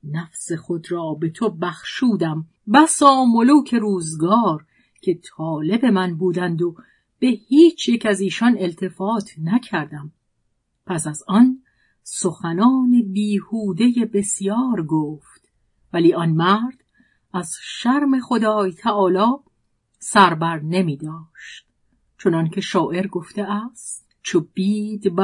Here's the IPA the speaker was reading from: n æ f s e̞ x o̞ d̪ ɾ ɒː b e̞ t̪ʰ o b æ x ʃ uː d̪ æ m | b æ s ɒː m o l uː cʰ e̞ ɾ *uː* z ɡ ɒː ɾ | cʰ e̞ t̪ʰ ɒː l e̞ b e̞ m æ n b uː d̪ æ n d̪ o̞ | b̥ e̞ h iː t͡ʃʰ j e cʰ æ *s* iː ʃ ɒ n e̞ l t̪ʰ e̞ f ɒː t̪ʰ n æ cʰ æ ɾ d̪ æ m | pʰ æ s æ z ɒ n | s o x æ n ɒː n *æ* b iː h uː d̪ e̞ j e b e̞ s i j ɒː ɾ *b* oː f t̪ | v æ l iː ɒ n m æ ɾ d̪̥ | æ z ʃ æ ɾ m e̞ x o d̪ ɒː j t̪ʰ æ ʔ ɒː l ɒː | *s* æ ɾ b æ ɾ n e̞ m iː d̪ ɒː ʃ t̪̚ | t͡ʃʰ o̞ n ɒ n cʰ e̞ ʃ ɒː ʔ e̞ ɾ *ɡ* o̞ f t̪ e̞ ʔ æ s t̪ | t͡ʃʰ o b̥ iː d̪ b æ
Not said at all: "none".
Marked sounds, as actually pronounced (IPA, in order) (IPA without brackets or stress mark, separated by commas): uː, z, e, ɡ, s, ɡ